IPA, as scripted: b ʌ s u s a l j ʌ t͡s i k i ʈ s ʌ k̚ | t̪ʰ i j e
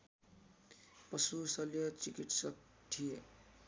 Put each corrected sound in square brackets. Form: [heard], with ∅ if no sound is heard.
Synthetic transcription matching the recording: [p] ʌ s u s [ʌ] l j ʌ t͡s i k i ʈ s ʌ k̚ | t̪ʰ i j e